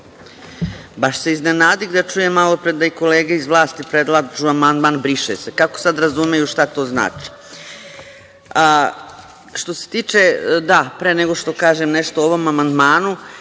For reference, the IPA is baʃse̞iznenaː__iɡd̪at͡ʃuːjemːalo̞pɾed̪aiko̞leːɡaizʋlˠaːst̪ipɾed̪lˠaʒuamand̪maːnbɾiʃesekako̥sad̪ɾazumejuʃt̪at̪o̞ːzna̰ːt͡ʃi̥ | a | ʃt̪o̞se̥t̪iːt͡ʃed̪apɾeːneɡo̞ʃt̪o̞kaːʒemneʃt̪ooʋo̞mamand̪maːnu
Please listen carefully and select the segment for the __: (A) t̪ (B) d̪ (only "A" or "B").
B